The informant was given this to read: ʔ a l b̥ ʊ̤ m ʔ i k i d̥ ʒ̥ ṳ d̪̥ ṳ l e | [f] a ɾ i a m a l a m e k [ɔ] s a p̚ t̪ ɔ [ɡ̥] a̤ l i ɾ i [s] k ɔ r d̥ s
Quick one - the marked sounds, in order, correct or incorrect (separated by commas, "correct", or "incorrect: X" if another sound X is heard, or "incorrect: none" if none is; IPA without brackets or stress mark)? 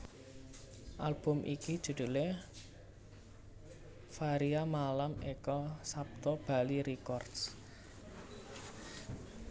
correct, correct, incorrect: b̥, incorrect: none